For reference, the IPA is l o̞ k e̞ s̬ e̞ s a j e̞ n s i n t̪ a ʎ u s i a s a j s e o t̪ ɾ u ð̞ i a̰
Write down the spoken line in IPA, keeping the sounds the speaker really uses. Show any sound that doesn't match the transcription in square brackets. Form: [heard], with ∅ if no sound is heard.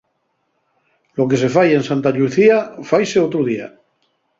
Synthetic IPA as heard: l o̞ k e̞ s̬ e̞ [f] a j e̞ n s [a] n t̪ a ʎ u [θ] i a [f] a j s e o t̪ ɾ u ð̞ i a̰